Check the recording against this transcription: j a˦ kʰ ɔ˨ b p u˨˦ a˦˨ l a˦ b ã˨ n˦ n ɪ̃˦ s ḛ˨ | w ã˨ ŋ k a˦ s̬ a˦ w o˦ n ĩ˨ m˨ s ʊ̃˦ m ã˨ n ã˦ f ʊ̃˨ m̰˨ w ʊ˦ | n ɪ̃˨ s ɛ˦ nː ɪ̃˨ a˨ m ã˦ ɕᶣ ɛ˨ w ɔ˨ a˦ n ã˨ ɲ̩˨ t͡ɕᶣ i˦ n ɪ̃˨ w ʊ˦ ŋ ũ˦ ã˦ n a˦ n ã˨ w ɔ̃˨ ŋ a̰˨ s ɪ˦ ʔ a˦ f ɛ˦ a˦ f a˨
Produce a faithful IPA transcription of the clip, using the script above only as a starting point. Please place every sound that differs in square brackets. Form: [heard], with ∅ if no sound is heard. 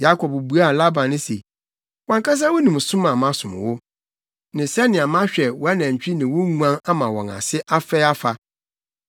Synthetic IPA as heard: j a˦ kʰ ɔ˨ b [b] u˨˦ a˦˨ l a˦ b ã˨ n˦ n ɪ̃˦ s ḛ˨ | w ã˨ ŋ k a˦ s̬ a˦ w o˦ n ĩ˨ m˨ s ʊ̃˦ m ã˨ [m] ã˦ [s] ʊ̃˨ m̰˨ w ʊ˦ | n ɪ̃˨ s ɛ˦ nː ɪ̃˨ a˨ m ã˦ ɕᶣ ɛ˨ w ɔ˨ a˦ n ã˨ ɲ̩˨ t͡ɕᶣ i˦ n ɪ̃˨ w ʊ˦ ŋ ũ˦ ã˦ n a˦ [m] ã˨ w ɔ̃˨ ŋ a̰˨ s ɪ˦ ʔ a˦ f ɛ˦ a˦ f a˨